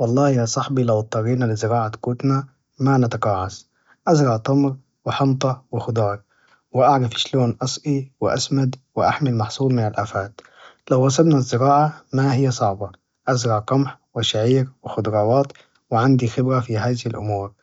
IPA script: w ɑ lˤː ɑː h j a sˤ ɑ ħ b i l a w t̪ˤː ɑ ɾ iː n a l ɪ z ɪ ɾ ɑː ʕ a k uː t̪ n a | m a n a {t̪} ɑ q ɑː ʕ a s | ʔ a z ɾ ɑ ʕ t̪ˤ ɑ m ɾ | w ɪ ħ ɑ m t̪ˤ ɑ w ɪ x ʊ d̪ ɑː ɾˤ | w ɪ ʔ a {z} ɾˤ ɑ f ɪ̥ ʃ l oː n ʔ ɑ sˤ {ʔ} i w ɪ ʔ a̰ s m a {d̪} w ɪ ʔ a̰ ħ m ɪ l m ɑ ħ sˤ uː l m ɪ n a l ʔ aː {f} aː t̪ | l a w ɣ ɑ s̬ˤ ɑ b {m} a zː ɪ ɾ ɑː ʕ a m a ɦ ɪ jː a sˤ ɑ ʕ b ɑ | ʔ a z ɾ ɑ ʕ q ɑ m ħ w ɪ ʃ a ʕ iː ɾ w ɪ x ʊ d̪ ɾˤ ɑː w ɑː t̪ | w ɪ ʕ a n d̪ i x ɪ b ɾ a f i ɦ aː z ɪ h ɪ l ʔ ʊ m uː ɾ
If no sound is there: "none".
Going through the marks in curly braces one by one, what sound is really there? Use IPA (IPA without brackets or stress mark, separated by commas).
t̪, ʕ, ʔ, d̪, f, n